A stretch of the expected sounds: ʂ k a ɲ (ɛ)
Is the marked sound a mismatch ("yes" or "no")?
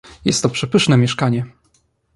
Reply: no